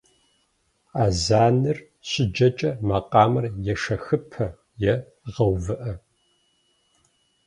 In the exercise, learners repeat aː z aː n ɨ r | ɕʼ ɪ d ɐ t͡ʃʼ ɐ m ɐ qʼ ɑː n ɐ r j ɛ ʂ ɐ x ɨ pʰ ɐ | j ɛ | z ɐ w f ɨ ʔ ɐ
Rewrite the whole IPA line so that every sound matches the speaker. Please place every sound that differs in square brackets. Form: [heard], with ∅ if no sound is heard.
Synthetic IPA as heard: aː z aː n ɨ r | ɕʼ ɪ [d͡ʒ] ɐ t͡ʃʼ ɐ m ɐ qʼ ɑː [m] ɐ r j ɛ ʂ ɐ x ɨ pʰ ɐ | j ɛ | [ʁ] ɐ w [v] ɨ ʔ ɐ